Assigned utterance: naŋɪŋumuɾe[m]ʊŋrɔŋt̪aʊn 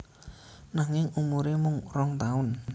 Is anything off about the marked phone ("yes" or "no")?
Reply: no